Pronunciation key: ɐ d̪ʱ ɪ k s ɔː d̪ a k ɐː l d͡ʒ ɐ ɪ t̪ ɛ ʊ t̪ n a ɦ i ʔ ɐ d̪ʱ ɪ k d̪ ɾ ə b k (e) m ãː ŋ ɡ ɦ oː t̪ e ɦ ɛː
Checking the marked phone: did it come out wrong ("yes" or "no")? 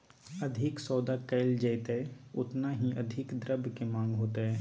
no